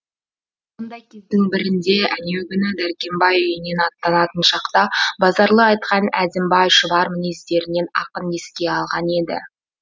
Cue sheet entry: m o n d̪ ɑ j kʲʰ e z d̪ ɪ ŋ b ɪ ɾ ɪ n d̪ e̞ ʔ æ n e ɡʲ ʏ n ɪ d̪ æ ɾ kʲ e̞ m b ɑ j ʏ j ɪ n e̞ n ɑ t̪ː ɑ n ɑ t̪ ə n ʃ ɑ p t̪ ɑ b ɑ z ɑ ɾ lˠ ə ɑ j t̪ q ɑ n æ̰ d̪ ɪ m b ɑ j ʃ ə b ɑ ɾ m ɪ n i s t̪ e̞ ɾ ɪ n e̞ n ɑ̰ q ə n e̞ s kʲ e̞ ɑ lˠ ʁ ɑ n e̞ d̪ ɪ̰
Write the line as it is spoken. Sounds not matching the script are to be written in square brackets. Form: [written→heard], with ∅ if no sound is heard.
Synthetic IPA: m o n d̪ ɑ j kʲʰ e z d̪ ɪ ŋ b ɪ ɾ ɪ n d̪ e̞ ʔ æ n e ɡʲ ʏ n ɪ d̪ æ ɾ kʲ e̞ m b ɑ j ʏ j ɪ n e̞ n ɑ t̪ː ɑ n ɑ t̪ ə n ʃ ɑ [p→q] t̪ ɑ b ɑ z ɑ ɾ lˠ ə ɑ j t̪ q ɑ n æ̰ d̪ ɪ m b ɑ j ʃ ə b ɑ ɾ m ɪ n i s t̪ e̞ ɾ ɪ n e̞ n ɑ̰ q ə n e̞ s kʲ e̞ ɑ lˠ ʁ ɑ n e̞ d̪ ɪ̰